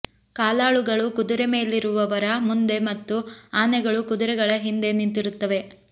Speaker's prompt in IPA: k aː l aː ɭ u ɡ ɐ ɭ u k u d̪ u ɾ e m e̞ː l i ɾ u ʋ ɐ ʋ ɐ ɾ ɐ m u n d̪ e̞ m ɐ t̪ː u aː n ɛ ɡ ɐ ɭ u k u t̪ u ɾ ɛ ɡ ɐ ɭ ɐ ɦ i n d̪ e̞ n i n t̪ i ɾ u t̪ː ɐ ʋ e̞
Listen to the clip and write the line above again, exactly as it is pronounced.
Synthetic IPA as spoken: k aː l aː ɭ u ɡ ɐ ɭ u k u d̪ u ɾ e m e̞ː l i ɾ u ʋ ɐ ʋ ɐ ɾ ɐ m u n d̪ e̞ m ɐ t̪ː u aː n ɛ ɡ ɐ ɭ u k u d̪ u ɾ ɛ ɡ ɐ ɭ ɐ ɦ i n d̪ e̞ n i n t̪ i ɾ u t̪ː ɐ ʋ e̞